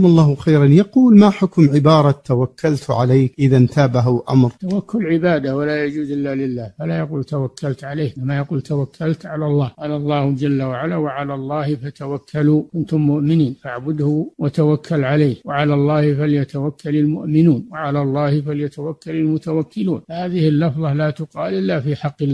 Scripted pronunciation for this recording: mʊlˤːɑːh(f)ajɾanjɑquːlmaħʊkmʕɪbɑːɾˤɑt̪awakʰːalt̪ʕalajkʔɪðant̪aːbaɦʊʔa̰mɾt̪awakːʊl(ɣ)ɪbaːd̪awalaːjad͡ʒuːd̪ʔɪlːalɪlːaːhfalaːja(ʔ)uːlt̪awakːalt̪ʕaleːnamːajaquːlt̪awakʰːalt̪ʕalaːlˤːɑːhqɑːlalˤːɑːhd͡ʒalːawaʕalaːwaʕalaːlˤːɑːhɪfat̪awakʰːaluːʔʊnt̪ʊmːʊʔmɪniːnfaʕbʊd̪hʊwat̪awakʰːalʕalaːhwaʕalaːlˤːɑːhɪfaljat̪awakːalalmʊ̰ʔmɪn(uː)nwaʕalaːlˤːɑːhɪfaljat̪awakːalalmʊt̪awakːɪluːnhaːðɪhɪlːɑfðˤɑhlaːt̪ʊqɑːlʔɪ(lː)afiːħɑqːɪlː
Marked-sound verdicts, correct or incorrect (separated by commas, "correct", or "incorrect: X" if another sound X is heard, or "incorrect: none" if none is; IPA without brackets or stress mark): incorrect: x, incorrect: ʕ, incorrect: q, correct, correct